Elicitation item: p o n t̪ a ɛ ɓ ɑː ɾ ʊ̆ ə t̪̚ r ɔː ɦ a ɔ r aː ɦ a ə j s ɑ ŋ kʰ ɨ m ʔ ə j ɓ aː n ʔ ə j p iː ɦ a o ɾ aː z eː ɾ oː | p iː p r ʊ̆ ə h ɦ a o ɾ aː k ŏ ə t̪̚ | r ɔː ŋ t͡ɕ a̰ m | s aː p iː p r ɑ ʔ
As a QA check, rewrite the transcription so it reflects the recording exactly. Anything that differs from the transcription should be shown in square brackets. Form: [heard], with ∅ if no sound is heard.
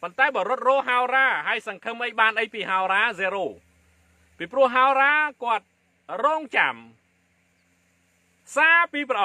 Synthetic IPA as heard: p o n t̪ a ɛ ɓ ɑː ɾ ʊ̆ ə t̪̚ r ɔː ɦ a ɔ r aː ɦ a ə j s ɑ ŋ kʰ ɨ m ʔ ə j ɓ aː n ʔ ə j p iː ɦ a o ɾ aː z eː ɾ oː | p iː p r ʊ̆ ə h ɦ a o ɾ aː k ŏ ə t̪̚ | r ɔː ŋ t͡ɕ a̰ m | s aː p iː p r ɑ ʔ